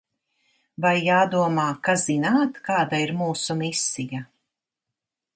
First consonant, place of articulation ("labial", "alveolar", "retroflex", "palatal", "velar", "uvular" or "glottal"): labial